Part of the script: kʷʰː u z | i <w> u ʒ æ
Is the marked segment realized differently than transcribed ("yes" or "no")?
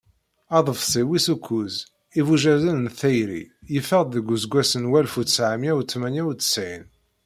yes